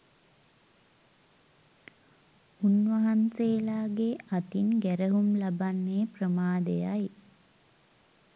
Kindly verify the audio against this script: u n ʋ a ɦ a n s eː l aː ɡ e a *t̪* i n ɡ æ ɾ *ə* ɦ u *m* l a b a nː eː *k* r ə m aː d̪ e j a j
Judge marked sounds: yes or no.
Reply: yes, yes, yes, no

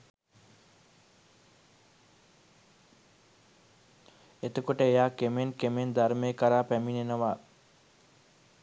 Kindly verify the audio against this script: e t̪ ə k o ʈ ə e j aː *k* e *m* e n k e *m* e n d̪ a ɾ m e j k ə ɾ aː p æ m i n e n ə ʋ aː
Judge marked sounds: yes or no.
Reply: yes, yes, yes

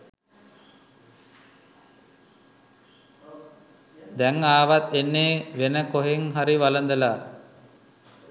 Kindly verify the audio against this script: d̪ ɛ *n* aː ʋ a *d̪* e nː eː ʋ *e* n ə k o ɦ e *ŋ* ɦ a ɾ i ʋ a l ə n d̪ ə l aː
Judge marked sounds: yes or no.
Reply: no, no, yes, yes

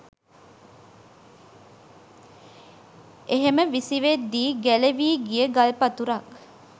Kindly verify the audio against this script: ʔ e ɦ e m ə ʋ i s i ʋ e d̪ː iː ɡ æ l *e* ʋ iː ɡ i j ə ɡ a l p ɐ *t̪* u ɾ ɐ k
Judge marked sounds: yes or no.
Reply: yes, yes

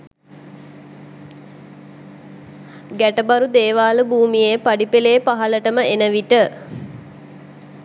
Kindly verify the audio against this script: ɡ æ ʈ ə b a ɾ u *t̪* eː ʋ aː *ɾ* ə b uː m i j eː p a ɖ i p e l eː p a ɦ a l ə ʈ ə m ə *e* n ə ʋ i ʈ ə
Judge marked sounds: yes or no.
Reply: no, no, yes

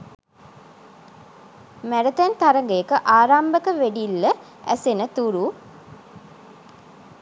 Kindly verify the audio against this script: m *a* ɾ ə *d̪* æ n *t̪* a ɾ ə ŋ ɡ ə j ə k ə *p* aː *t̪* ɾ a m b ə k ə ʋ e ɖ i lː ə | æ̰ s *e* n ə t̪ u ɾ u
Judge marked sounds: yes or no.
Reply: no, no, yes, no, no, yes

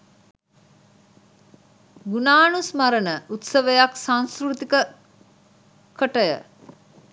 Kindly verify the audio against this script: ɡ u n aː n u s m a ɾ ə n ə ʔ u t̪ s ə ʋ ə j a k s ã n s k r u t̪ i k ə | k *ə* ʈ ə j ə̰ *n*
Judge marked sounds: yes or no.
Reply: yes, no

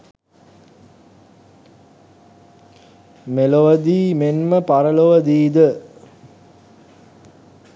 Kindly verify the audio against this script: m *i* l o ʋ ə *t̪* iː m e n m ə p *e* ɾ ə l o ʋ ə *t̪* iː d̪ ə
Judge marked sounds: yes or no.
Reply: no, no, no, no

